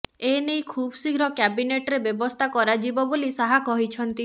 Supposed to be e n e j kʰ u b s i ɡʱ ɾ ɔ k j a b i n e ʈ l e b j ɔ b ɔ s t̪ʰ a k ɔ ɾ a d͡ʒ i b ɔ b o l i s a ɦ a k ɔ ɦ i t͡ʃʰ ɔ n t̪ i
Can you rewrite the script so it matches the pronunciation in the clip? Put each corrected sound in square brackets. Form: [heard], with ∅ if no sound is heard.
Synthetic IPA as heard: e n e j kʰ u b s i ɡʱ ɾ ɔ k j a b i n e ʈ [ɾ] e b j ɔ b ɔ s t̪ʰ a k ɔ ɾ a d͡ʒ i b ɔ b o l i s a ɦ a k ɔ ɦ i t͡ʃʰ ɔ n t̪ i